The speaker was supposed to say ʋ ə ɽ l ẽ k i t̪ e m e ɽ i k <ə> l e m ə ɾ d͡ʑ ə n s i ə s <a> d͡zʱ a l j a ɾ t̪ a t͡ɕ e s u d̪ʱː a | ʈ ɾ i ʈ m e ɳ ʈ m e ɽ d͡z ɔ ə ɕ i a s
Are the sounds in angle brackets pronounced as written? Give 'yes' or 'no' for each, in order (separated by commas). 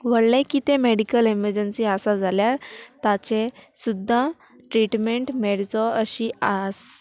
yes, yes